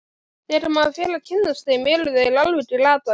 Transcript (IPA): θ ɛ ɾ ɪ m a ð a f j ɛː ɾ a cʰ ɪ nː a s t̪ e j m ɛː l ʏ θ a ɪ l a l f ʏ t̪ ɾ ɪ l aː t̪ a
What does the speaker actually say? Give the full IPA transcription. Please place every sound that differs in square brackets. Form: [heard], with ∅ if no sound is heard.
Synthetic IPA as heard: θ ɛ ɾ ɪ m a ð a f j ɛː [l] a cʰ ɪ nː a s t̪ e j m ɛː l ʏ [ð] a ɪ l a l [v] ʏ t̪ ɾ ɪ l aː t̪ a